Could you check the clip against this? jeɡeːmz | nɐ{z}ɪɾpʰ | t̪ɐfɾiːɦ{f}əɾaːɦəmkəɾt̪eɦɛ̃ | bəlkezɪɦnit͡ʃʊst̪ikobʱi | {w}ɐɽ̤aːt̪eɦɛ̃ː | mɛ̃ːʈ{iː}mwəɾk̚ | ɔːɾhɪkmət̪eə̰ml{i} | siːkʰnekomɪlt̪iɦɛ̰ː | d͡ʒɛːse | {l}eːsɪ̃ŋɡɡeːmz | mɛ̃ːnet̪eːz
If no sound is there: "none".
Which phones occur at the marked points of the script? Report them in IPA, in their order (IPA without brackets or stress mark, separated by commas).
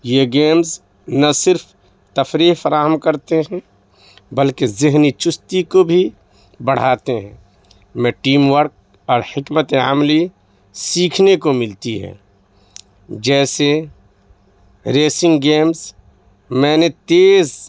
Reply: s, f, b, iː, i, ɾ